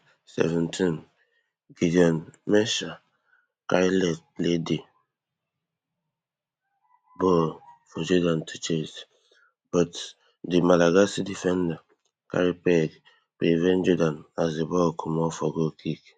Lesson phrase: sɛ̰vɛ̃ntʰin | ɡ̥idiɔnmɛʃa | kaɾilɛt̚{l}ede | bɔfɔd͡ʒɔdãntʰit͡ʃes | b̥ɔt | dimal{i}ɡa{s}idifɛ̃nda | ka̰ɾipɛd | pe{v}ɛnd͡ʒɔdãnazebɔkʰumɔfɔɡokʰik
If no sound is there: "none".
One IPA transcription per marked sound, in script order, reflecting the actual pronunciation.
l, a, s, v

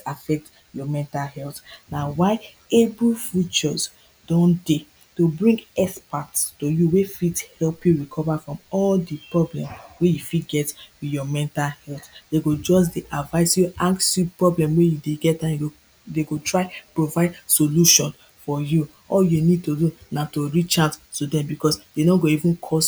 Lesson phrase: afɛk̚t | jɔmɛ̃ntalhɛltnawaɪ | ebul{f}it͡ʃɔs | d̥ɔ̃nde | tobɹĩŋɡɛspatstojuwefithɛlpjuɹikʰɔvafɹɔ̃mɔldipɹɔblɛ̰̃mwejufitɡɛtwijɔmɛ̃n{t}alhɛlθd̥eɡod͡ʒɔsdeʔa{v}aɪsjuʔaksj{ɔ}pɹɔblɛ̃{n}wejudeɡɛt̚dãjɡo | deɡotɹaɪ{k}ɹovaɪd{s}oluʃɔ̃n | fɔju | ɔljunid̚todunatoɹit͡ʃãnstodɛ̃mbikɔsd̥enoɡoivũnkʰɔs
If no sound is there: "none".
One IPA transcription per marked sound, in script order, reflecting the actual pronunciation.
f, t, v, u, m, p, s

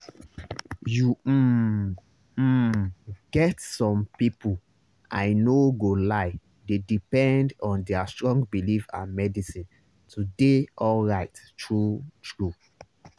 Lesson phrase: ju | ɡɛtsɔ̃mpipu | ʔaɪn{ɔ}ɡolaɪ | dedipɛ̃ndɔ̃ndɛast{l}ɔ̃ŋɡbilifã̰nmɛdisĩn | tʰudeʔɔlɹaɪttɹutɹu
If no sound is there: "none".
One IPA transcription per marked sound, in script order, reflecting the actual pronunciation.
o, ɹ

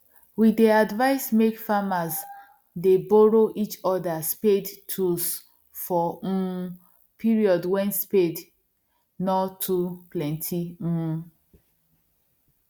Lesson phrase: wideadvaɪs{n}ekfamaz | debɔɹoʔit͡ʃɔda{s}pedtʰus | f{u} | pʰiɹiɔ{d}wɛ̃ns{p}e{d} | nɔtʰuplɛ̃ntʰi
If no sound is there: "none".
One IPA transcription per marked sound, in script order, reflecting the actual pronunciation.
m, s, ɔ, d, p, d

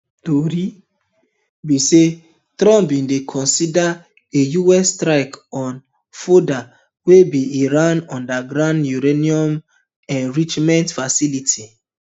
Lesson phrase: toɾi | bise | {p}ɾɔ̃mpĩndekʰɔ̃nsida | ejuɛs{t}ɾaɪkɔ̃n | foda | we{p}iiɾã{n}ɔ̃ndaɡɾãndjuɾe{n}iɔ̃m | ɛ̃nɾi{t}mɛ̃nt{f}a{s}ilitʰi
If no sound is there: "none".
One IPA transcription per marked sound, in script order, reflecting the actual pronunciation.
t, t, b, n, n, t͡ʃ, f, s

